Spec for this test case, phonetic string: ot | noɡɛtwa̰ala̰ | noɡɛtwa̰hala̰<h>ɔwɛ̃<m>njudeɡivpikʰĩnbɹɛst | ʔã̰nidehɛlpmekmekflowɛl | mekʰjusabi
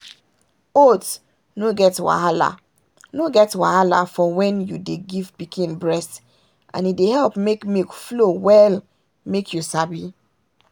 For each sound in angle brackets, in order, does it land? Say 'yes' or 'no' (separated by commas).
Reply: no, no